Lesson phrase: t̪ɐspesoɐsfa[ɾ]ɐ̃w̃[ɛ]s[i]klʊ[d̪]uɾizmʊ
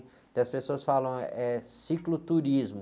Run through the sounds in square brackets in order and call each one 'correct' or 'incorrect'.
incorrect, correct, correct, incorrect

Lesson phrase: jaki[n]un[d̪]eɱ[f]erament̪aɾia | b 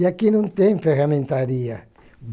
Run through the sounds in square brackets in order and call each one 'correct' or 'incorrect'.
correct, incorrect, correct

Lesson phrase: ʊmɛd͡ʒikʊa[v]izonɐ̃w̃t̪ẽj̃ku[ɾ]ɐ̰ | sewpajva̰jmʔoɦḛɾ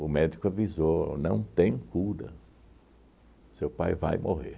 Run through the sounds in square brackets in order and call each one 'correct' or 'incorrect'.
correct, correct

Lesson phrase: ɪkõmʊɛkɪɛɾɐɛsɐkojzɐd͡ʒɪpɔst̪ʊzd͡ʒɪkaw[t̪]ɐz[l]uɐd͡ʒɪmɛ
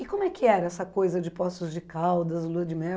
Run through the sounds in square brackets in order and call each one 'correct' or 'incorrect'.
incorrect, correct

